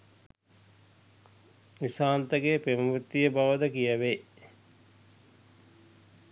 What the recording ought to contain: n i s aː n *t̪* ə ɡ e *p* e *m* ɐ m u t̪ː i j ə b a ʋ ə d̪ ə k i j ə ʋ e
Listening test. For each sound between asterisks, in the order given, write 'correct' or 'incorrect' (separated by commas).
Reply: correct, correct, correct